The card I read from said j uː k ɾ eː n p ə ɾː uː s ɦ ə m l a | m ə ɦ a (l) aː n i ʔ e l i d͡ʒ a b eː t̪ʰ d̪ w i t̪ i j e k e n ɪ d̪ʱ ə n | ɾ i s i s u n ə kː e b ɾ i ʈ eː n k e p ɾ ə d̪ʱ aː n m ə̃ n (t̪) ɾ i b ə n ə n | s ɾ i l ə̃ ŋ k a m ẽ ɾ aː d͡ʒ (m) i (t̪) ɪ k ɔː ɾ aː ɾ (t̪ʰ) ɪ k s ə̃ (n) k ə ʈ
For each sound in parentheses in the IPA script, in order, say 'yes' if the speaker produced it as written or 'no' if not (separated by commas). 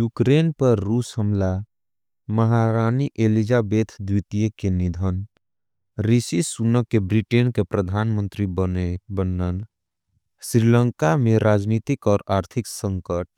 no, yes, no, yes, yes, no